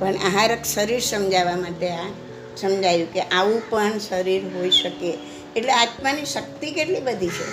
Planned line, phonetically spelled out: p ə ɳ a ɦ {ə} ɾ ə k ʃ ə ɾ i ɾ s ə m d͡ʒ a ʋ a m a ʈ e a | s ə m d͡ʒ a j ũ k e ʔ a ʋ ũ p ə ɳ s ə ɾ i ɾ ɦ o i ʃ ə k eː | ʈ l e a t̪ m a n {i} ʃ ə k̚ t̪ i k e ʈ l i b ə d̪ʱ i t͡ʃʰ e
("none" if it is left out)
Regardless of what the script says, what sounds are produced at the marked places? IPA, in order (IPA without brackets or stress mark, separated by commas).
a, i